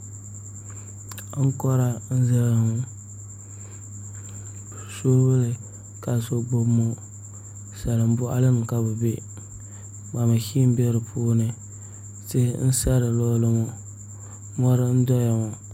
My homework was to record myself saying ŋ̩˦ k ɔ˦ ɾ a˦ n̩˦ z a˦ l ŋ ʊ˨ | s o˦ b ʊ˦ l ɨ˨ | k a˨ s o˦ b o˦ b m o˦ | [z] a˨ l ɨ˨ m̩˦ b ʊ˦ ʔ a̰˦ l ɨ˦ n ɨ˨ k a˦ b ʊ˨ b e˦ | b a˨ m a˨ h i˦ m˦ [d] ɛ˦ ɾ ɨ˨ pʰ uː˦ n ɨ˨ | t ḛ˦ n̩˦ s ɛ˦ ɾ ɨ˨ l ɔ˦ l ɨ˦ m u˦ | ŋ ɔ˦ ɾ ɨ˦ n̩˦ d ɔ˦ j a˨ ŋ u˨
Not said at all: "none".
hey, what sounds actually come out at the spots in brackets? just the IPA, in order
s, b

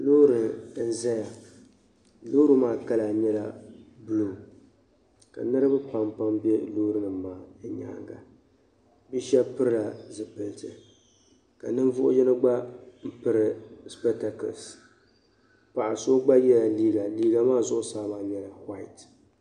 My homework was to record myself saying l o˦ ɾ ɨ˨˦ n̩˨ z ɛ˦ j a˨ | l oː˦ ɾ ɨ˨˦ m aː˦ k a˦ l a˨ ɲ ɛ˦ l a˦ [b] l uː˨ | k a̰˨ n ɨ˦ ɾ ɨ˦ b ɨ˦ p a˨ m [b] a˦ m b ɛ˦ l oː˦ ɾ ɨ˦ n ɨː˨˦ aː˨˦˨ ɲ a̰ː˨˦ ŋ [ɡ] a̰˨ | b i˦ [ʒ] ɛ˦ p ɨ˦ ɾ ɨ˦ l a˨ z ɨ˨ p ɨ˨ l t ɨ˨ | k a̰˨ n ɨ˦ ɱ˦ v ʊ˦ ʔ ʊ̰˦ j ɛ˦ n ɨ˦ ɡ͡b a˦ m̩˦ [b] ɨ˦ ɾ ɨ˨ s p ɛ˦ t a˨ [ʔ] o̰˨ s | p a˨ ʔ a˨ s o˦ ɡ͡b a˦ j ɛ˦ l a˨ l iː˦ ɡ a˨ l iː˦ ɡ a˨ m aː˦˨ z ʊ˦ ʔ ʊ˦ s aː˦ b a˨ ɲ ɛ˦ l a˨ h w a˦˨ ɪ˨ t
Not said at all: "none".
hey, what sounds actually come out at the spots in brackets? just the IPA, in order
b, p, ɡ, ʃ, p, k

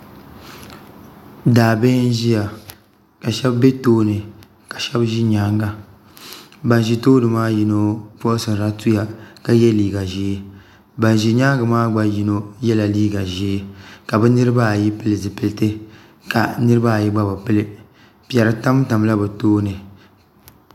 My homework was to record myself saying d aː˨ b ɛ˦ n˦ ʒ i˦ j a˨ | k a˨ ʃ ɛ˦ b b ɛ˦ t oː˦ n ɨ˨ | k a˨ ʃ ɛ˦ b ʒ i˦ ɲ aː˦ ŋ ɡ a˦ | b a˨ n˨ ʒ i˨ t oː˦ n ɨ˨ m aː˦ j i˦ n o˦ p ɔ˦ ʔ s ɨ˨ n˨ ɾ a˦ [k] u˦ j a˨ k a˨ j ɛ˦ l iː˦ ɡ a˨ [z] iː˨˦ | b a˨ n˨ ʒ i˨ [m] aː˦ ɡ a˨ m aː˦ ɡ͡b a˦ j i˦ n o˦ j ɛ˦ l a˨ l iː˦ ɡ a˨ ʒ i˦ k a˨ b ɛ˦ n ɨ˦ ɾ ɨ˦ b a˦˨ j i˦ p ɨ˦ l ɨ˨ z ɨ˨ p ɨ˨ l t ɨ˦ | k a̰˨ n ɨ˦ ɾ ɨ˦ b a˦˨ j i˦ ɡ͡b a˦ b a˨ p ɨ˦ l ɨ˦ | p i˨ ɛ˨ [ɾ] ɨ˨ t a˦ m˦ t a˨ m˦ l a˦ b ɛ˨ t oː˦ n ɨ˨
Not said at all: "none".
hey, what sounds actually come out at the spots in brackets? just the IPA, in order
t, ʒ, ɲ, ɾ

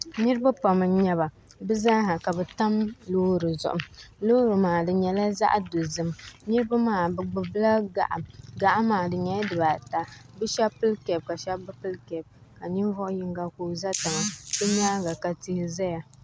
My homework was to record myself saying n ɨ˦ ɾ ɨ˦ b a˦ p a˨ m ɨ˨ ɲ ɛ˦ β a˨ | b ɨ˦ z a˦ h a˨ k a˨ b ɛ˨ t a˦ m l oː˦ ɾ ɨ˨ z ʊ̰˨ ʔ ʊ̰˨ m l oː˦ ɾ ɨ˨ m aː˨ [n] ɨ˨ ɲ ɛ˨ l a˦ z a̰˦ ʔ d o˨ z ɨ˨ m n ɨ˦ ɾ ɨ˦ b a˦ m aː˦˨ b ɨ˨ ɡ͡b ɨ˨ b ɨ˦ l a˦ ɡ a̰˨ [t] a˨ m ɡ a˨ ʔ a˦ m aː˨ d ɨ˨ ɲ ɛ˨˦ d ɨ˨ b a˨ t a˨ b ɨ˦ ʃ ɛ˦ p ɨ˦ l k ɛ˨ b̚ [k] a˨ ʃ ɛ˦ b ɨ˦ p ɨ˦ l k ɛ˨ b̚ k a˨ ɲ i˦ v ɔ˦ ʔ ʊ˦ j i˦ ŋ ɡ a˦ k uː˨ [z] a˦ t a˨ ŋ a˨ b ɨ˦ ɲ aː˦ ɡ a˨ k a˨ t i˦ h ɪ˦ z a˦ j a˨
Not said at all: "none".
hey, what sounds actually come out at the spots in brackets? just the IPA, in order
d, ʔ, k, z

